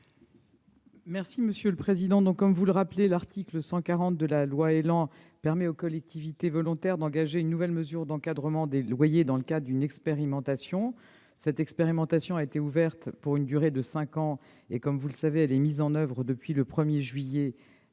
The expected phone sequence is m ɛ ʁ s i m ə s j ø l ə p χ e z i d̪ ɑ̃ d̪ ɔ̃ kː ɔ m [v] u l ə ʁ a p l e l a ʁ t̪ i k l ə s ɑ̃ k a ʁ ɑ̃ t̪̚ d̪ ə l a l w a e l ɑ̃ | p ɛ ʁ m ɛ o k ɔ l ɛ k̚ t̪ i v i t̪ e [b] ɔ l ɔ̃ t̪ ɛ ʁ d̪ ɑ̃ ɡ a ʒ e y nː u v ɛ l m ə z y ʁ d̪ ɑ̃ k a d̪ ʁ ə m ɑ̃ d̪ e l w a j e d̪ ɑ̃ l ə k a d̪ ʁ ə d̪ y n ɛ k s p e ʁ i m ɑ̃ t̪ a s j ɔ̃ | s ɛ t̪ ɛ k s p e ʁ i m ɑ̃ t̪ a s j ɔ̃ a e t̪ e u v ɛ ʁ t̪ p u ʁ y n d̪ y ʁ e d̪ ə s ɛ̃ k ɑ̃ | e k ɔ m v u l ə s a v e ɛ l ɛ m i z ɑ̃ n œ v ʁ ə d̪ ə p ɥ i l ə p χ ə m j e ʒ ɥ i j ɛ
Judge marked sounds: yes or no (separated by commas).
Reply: yes, no